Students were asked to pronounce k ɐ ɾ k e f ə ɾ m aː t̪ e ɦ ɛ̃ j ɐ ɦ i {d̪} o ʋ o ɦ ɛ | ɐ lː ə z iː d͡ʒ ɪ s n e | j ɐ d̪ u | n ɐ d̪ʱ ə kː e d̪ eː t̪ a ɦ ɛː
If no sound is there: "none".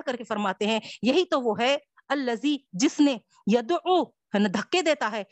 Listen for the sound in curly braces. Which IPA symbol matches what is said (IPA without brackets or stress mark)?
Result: t̪